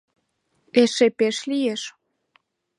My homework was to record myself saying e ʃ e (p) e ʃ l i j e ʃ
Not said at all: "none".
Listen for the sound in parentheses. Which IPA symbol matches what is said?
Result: p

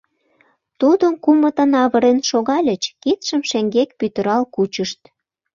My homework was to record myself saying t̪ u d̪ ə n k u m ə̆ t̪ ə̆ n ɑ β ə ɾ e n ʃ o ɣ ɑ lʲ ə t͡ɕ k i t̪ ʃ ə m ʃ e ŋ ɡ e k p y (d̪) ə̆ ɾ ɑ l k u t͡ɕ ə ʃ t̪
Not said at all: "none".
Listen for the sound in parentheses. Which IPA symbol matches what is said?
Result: t̪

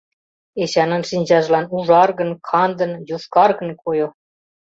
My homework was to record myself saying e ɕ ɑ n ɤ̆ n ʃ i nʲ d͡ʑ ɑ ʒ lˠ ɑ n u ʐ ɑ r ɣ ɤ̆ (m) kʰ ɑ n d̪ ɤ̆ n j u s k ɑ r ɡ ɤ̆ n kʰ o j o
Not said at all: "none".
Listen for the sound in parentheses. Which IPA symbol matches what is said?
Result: n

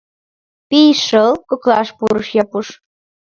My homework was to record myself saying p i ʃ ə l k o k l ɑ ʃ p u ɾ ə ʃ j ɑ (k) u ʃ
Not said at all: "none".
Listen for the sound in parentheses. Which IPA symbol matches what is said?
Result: p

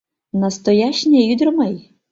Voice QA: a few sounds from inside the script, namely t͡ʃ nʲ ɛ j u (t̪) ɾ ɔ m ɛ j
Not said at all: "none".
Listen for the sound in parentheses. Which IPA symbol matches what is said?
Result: d̪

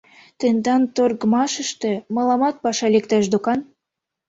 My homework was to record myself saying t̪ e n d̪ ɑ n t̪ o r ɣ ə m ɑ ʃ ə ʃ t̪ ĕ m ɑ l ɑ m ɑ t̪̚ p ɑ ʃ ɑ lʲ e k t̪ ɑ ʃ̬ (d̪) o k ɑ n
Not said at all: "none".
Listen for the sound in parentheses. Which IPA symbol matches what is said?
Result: d̪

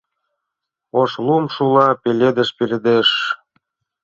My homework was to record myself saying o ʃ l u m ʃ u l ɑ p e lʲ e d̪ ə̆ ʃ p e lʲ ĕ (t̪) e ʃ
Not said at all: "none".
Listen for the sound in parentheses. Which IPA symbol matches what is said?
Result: d̪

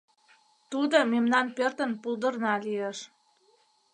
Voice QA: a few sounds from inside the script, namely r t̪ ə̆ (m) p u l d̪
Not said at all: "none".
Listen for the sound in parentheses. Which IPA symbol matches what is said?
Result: n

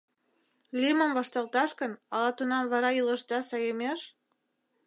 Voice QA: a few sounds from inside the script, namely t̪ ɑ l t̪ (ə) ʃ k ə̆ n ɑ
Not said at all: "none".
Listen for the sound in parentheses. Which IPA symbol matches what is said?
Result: ɑ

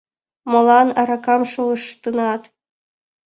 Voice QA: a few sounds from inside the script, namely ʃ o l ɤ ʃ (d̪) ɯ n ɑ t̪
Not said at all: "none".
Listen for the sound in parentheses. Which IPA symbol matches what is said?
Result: t̪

